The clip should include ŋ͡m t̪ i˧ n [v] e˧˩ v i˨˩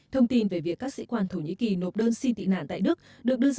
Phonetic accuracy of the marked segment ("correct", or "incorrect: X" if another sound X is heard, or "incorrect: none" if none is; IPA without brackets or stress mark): correct